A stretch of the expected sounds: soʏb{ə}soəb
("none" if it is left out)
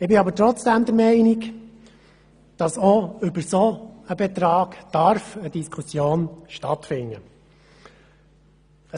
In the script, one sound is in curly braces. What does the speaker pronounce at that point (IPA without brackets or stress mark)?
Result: ə